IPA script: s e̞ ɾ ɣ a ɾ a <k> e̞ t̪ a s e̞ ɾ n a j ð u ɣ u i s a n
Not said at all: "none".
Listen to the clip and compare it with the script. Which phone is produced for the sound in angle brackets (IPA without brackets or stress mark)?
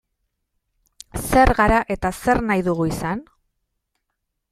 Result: ʔ